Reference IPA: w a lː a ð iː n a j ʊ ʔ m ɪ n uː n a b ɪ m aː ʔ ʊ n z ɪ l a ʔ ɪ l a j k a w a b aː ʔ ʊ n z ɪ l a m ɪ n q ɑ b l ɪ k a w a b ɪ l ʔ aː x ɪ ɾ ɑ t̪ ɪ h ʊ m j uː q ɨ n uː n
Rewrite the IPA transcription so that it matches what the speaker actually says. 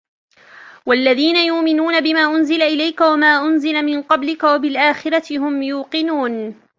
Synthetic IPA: w a lː a ð iː n a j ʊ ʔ m ɪ n uː n a b ɪ m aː ʔ ʊ n z ɪ l a ʔ ɪ l a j k a w a m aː ʔ ʊ n z ɪ l a m ɪ n q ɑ b l ɪ k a w a b ɪ l ʔ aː x ɪ ɾ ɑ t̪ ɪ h ʊ m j uː q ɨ n uː n

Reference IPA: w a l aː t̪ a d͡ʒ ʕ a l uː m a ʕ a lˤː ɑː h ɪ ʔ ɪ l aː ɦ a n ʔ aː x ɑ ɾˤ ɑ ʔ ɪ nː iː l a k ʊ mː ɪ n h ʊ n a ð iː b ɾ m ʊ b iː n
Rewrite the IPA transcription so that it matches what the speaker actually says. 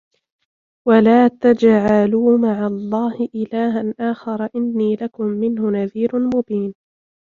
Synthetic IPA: w a l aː t̪ a d͡ʒ ʕ a l uː m a ʕ a lˤː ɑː h ɪ ʔ ɪ l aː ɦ a n ʔ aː x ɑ ɾˤ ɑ ʔ ɪ nː iː l a k ʊ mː ɪ n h ʊ n a ð iː ɾ m ʊ b iː n

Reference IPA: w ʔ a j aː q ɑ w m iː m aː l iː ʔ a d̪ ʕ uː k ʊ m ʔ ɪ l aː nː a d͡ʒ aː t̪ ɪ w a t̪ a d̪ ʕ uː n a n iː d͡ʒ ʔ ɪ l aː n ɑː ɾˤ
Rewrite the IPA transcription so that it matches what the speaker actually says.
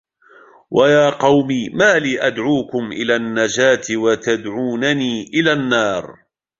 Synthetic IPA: w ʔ a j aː q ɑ w m iː m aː l iː ʔ a d̪ ʕ uː k ʊ m ʔ ɪ l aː nː a d͡ʒ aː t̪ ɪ w a t̪ a d̪ ʕ uː n a n iː ʔ ɪ l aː nː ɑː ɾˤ

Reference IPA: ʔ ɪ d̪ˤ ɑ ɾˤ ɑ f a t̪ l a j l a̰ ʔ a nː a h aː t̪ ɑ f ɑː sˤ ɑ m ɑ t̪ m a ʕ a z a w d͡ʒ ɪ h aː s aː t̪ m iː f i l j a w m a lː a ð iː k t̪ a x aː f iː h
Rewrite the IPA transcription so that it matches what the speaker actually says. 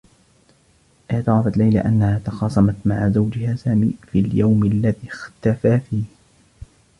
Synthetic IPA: ʔ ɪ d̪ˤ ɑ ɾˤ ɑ f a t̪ l a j l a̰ ʔ a nː a h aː t̪ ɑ x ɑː sˤ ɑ m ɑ t̪ m a ʕ a z a w d͡ʒ ɪ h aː s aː m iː f i l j a w m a lː a ð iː x t̪ a f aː f iː h

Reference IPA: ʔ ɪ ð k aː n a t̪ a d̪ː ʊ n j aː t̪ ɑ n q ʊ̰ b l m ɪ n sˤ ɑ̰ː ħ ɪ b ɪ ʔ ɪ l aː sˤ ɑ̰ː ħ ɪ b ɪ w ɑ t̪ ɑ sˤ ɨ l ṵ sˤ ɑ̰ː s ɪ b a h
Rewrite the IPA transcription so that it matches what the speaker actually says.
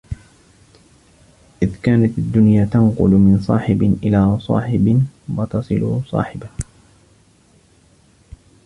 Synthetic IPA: ʔ ɪ ð k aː n a t̪ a d̪ː ʊ n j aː t̪ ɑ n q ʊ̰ l m ɪ n sˤ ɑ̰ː ħ ɪ b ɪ ʔ ɪ l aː sˤ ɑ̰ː ħ ɪ b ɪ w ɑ t̪ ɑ sˤ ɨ l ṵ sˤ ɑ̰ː ħ ɪ b a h

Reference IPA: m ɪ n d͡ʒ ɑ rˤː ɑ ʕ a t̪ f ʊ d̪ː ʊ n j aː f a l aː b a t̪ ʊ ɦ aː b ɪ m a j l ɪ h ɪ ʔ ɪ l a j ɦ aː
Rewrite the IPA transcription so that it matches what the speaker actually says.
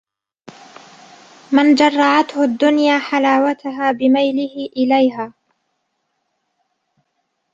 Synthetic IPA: m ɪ n d͡ʒ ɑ rˤː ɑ ʕ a t̪ h ʊ d̪ː ʊ n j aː ħ a l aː w a t̪ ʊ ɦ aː b ɪ m a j l ɪ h ɪ ʔ ɪ l a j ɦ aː

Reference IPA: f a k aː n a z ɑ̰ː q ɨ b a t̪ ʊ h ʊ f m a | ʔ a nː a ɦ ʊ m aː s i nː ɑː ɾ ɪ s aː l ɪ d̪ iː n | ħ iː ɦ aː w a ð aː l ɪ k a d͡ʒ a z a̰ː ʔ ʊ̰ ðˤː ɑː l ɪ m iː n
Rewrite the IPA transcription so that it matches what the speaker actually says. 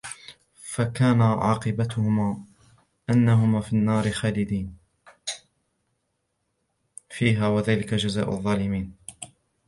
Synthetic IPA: f a k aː n a ʕ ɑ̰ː q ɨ b a t̪ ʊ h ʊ m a | ʔ a nː a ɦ ʊ m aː f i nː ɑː ɾ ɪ x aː l ɪ d̪ iː n | f iː ɦ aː w a ð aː l ɪ k a d͡ʒ a z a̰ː ʔ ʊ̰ ðˤː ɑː l ɪ m iː n

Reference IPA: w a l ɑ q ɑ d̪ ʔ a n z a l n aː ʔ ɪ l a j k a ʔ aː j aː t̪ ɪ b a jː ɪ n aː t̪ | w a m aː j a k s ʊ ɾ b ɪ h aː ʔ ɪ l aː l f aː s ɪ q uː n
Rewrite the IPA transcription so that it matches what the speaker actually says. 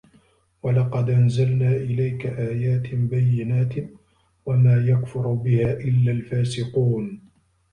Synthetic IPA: w a l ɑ q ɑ d̪ ʔ a n z a l n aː ʔ ɪ l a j k a ʔ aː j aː t̪ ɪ b a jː ɪ n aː t̪ | w a m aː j a k f ʊ ɾ b ɪ h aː ʔ ɪ lː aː l f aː s ɪ q uː n

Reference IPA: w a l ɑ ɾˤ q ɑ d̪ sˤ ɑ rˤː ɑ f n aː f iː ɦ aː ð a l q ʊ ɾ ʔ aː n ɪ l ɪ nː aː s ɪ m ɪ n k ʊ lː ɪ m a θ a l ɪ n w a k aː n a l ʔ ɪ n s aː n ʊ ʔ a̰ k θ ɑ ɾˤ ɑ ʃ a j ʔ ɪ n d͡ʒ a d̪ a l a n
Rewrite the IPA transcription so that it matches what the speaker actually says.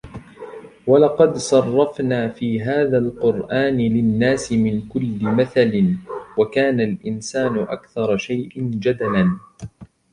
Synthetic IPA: w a l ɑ q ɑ d̪ sˤ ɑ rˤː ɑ f n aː f iː ɦ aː ð a l q ʊ ɾ ʔ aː n ɪ l ɪ nː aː s ɪ m ɪ n k ʊ lː ɪ m a θ a l ɪ n w a k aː n a l ʔ ɪ n s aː n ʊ ʔ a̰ k θ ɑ ɾˤ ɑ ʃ a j ʔ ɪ n d͡ʒ a d̪ a l a n

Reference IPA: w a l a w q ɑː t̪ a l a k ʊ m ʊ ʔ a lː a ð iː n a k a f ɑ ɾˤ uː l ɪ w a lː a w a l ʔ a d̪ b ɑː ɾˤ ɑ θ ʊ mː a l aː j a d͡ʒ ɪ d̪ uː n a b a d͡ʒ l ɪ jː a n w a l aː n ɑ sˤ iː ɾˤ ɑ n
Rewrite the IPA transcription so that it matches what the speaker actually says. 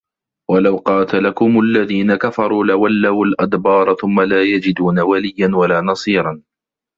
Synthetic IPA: w a l a w q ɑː t̪ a l a k ʊ m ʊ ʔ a lː a ð iː n a k a f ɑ ɾˤ uː l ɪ w a lː a w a l ʔ a d̪ b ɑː ɾˤ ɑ θ ʊ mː a l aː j a d͡ʒ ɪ d̪ uː n a w a l ɪ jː a n w a l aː n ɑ sˤ iː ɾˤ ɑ n

